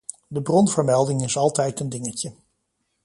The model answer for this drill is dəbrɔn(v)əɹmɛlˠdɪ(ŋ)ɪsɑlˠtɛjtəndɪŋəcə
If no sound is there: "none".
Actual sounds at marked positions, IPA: v, ŋ

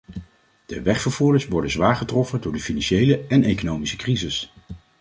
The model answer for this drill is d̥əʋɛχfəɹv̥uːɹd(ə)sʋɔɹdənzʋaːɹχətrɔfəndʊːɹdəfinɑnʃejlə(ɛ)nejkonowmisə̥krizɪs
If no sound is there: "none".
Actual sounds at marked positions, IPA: ə, ɛ

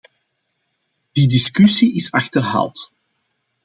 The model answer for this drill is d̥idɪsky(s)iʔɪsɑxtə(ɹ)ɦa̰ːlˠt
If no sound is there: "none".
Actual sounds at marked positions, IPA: s, r

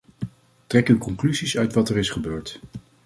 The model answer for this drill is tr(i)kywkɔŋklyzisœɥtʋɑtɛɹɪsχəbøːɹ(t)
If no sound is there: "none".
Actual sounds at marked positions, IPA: ɛ, t

